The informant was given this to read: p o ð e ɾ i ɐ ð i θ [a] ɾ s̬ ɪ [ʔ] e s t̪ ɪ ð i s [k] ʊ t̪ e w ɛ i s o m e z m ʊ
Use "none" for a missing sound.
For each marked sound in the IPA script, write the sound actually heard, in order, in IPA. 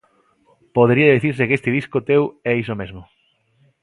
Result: i, k, k

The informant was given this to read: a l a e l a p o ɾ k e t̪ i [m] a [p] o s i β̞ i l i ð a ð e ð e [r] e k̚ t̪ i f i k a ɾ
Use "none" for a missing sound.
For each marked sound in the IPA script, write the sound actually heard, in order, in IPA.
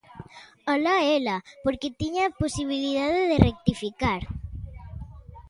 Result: ɲ, p, r

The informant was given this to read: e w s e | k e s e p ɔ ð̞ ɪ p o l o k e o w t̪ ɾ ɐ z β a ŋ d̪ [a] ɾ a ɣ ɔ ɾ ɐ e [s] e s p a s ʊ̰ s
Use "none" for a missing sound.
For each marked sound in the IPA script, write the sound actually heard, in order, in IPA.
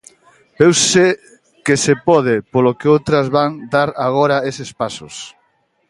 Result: a, s

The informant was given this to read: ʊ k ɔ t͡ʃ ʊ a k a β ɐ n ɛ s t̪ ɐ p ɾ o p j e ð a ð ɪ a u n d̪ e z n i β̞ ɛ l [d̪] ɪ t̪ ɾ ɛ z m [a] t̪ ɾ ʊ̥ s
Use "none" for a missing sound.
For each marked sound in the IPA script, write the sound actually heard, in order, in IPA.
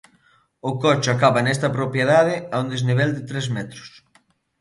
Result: d̪, ɛ

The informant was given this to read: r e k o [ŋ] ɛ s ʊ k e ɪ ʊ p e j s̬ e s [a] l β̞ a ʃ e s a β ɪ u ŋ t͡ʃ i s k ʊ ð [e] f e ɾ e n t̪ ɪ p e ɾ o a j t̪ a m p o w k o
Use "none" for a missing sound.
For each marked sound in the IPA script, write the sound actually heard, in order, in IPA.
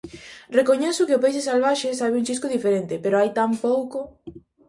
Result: ɲ, a, i

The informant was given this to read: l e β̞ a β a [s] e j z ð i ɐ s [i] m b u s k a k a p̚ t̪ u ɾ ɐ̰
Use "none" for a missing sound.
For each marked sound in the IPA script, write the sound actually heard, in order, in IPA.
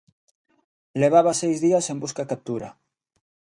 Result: s, e

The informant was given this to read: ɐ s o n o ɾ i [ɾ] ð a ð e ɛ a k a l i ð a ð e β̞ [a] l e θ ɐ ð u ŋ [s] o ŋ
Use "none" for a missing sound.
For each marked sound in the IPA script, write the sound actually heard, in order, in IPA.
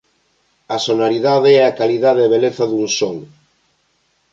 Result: none, e, s

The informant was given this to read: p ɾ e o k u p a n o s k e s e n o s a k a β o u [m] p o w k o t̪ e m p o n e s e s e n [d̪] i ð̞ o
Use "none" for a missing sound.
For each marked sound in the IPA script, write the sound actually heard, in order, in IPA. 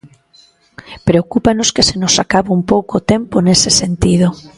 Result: m, t̪

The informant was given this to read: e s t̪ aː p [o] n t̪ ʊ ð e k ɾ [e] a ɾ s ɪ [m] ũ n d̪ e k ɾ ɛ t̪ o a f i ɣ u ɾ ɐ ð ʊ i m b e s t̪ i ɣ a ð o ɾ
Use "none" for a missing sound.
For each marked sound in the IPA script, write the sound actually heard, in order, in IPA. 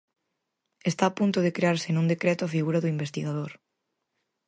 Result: u, e, n

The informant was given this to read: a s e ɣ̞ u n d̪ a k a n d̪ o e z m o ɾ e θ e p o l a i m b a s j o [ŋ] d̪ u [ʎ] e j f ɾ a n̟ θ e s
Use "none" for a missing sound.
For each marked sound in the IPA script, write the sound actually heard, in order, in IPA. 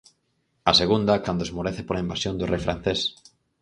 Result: n, r

